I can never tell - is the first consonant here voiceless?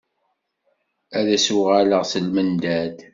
no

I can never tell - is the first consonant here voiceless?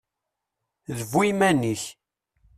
no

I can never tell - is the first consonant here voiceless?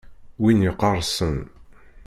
no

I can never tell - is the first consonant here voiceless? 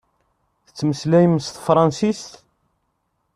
yes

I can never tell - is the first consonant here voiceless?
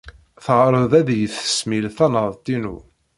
yes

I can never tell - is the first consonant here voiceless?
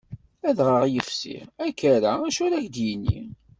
no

